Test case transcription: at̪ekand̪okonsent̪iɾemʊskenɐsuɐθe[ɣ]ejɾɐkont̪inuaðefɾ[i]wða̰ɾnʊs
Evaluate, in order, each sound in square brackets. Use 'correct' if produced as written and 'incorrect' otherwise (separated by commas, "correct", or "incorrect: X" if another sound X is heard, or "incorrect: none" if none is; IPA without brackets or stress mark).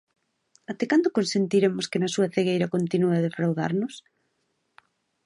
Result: correct, incorrect: a